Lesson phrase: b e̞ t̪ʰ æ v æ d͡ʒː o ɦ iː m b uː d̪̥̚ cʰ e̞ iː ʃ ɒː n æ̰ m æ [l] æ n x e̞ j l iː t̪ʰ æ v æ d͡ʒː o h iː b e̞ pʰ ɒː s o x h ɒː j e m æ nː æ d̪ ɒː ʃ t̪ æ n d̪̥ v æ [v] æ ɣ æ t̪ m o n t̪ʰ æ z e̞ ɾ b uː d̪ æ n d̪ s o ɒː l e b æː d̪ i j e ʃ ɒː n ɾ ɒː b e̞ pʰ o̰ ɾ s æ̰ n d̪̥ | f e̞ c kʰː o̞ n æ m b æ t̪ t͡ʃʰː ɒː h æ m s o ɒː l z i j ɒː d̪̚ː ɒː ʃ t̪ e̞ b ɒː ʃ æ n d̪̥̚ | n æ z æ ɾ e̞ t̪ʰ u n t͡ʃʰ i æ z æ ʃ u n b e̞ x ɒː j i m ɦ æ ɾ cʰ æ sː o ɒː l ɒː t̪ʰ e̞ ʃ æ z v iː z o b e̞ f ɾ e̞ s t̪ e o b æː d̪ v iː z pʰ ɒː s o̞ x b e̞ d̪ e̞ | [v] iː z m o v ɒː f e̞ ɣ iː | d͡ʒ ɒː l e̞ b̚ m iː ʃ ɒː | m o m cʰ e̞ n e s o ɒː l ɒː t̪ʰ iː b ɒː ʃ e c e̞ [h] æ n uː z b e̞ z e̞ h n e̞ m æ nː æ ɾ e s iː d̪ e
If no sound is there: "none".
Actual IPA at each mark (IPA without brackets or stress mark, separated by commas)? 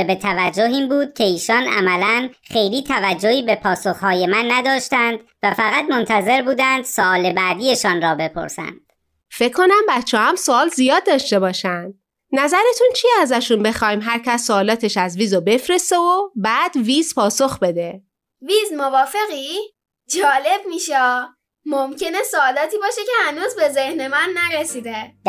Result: l, f, v, h